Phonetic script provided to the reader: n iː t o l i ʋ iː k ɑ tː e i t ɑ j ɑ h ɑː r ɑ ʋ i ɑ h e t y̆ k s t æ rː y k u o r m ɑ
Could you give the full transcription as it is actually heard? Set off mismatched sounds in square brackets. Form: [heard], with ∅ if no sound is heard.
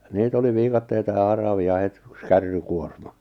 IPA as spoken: n iː t o l i ʋ iː k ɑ tː e i t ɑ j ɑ h [ɑ] r ɑ ʋ i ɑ h e t y̆ k s [k] æ rː y k u o r m ɑ